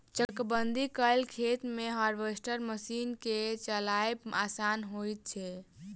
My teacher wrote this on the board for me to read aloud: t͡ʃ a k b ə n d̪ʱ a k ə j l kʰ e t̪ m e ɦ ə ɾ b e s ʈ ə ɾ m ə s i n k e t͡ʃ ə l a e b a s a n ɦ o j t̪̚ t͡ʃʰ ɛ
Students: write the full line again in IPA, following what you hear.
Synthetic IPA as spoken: t͡ʃ ə k b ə n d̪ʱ i k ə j l kʰ e t̪ m e ɦ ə ɾ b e s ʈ ə ɾ m ə s i n k e t͡ʃ ə l a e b a s a n ɦ o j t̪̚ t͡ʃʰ ɛ